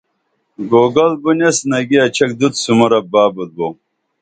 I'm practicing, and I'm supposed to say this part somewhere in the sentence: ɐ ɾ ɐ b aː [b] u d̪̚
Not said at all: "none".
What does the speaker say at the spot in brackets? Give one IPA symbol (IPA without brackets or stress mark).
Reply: b